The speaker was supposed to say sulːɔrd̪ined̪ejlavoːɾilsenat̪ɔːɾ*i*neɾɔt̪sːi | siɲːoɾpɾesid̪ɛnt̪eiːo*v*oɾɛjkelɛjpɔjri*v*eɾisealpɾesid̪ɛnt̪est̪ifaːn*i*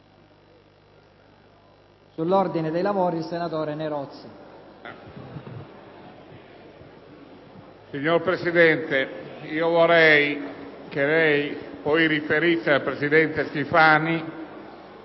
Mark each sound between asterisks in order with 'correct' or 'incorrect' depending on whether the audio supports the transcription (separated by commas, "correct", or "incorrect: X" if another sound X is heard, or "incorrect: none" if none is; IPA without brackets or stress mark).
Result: incorrect: e, correct, incorrect: f, correct